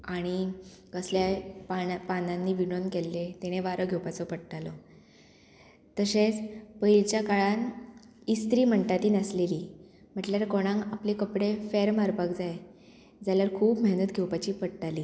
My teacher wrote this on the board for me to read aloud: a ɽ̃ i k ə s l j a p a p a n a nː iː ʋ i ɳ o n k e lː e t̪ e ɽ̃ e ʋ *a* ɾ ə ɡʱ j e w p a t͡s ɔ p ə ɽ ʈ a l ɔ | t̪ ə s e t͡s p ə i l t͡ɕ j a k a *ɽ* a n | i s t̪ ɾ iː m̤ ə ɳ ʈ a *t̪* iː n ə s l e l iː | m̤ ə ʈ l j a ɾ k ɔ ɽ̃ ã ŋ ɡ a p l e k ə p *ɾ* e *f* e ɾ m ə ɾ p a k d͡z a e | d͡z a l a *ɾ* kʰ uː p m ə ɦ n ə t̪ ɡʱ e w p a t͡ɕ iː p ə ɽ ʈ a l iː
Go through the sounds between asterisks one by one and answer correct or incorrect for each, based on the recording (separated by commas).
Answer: correct, incorrect, correct, incorrect, correct, correct